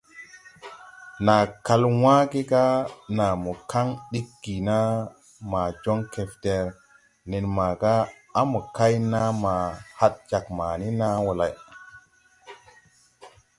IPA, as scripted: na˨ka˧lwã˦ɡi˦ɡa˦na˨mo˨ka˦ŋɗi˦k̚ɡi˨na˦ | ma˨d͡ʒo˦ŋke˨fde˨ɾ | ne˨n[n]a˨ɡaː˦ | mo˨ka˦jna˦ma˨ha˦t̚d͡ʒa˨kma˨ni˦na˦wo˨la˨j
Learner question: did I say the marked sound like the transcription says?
no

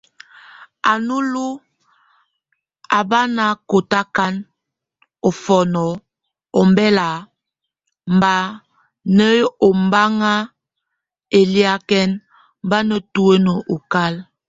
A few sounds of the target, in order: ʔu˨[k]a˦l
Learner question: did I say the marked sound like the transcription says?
yes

